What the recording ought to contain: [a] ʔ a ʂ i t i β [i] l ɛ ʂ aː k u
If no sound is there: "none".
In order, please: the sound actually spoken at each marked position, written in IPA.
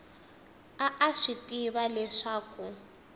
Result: a, a

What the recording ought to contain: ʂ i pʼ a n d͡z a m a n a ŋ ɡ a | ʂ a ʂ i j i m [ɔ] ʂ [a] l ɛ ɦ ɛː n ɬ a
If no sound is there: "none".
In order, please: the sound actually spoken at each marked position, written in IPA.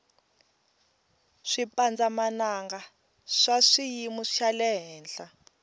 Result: u, a

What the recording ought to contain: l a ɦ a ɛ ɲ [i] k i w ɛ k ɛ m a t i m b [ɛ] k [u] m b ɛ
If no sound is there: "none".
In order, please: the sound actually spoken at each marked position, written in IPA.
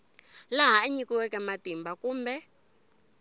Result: i, a, uː

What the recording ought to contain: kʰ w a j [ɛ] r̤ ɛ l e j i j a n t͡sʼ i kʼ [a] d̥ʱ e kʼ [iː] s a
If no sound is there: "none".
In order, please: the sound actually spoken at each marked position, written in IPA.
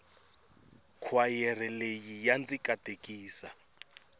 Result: ɛ, a, iː

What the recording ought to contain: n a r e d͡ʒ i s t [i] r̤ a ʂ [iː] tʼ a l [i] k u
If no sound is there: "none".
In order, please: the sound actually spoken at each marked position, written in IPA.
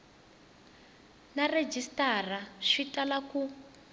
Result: a, i, a

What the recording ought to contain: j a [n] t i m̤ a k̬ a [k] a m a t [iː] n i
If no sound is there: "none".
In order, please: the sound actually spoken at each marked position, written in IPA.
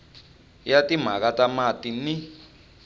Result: none, t, i

